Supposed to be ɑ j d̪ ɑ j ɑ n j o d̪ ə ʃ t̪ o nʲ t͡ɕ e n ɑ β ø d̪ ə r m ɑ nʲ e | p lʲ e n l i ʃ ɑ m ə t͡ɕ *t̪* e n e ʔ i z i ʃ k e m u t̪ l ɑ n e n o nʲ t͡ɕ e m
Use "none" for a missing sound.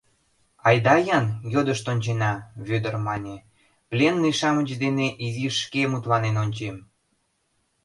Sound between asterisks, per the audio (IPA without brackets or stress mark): d̪